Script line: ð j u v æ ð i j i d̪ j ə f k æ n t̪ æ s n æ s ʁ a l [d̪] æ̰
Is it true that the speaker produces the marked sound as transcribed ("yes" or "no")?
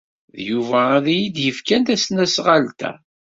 no